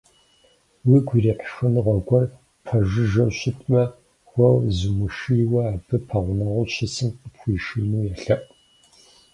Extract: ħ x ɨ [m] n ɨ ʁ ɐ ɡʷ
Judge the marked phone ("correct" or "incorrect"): incorrect